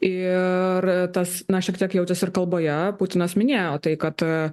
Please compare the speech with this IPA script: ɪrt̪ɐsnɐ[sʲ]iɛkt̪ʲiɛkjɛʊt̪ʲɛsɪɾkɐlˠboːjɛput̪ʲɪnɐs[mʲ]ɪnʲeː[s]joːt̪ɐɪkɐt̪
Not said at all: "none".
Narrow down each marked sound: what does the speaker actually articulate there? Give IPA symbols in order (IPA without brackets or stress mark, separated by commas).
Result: ʃʲ, mʲ, none